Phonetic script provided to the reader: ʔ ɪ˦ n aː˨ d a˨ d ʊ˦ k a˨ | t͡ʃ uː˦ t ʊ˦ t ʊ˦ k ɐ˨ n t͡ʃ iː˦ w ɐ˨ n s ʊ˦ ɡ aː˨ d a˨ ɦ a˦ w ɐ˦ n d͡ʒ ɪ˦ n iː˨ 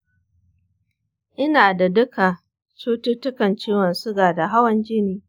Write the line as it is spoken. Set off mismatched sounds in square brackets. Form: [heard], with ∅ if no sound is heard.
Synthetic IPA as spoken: ʔ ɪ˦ n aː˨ d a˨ d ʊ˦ k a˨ | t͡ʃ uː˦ t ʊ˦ t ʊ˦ k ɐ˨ n t͡ʃ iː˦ w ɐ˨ n s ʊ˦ ɡ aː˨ d a˨ ɦ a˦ w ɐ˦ n d͡ʒ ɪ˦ n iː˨